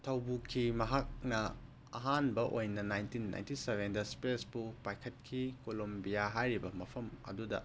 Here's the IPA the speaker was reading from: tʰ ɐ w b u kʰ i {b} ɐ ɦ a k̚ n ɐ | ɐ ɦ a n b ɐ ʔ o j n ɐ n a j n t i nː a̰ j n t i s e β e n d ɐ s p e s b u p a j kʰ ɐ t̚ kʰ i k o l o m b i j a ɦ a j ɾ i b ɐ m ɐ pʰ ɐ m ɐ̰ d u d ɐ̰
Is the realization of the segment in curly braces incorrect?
yes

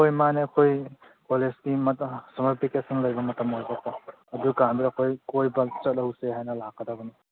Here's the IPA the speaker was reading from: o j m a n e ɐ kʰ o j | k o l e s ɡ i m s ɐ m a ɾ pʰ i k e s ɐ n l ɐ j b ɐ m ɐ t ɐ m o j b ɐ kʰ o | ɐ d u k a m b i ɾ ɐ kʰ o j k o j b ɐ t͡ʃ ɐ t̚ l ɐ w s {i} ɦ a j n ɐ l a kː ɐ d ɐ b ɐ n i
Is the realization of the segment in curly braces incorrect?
yes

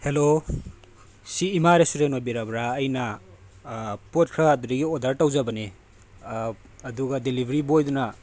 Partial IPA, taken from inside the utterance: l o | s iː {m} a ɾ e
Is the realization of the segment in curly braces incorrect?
no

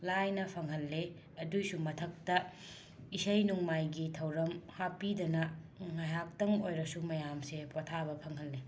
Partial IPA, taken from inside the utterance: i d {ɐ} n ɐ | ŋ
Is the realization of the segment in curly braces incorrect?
no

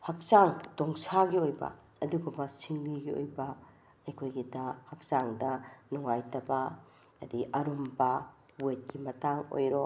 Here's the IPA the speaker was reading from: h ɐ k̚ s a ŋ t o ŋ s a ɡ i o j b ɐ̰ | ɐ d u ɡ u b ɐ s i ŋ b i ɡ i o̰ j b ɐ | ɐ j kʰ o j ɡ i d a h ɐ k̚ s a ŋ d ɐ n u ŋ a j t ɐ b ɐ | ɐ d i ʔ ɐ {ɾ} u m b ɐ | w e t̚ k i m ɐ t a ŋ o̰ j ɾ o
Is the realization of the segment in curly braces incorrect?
no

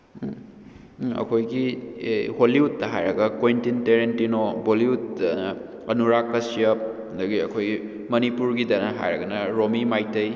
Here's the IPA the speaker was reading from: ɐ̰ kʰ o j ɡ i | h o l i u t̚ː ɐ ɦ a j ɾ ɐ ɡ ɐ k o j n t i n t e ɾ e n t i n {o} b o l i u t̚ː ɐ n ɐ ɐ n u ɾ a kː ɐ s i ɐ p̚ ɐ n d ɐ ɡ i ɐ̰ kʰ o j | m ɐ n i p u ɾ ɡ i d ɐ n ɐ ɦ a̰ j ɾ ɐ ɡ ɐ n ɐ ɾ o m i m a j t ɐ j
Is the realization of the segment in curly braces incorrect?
no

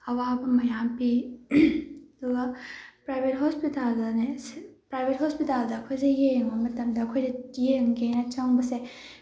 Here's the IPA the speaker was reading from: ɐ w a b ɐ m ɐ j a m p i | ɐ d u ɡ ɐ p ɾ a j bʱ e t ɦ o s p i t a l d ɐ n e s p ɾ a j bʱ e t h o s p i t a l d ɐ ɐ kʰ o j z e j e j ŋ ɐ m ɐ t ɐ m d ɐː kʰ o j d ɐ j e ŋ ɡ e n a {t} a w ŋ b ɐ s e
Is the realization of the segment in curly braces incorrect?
yes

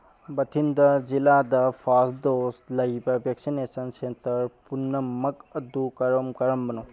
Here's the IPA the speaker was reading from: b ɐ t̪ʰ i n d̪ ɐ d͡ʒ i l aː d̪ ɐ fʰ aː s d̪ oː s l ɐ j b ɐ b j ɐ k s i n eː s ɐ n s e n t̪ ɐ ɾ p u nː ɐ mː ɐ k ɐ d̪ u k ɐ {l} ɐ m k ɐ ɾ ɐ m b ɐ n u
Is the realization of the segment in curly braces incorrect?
yes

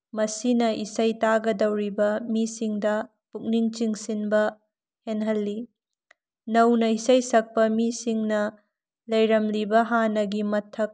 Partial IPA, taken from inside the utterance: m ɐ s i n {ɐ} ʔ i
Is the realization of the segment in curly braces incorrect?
no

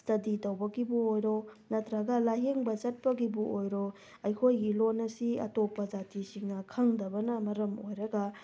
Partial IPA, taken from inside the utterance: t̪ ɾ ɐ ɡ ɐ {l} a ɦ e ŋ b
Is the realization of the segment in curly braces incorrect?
no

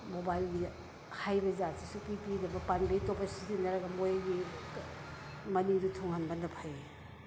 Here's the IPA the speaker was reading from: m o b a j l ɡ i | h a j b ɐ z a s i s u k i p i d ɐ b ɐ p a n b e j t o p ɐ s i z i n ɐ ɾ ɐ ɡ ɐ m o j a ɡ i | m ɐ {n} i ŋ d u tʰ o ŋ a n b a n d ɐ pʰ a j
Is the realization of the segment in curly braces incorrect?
no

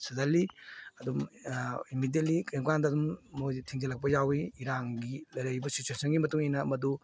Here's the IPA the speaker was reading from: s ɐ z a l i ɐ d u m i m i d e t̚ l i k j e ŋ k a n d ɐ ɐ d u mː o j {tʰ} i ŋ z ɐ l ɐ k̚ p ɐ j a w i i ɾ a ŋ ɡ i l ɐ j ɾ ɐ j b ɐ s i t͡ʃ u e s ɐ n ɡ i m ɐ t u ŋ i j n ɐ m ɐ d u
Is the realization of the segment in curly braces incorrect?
no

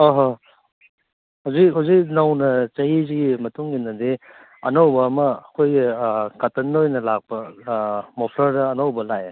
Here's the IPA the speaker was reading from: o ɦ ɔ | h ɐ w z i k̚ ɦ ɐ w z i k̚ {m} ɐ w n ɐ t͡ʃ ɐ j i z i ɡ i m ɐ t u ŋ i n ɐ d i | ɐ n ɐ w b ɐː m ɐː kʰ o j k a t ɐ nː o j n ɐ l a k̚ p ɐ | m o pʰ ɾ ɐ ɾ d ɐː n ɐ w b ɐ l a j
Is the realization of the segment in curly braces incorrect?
yes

